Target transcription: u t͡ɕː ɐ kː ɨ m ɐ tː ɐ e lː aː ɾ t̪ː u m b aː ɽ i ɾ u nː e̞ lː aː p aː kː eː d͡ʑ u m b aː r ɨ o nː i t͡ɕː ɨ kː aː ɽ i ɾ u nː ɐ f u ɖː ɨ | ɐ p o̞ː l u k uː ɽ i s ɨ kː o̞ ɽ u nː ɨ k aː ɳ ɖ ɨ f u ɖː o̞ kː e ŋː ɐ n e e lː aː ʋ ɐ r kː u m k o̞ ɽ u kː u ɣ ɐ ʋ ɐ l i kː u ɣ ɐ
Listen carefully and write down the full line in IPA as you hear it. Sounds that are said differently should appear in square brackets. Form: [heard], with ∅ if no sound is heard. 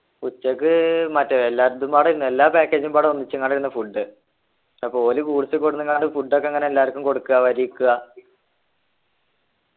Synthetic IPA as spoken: u t͡ɕː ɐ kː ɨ m ɐ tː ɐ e lː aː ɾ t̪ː u m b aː ɽ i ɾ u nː e̞ lː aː p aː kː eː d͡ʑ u m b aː [ɽ] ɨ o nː i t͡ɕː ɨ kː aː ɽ i ɾ u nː ɐ f u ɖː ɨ | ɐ p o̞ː l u k uː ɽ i s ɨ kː o̞ ɽ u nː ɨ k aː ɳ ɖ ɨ f u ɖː o̞ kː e ŋː ɐ n e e lː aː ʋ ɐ r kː u m k o̞ ɽ u kː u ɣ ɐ ʋ ɐ [ɾ] i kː u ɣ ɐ